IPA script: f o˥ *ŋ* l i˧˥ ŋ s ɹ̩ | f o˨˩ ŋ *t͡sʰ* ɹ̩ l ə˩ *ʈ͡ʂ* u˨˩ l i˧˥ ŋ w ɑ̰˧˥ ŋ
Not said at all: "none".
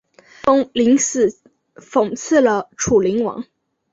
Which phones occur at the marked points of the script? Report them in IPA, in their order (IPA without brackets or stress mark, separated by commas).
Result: ŋ, t͡sʰ, ʈ͡ʂʰ